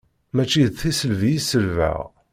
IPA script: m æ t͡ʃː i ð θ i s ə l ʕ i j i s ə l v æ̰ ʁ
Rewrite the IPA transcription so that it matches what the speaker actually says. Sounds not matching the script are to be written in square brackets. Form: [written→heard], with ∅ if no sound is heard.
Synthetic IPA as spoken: m æ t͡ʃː i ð θ i s ə l [ʕ→v] i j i s ə l v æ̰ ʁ